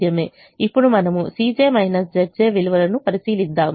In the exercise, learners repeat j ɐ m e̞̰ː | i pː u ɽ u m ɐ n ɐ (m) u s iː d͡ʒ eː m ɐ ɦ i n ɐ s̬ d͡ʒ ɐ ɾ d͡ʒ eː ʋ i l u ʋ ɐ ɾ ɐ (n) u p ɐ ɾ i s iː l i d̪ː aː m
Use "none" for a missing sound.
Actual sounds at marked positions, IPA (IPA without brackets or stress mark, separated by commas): m, n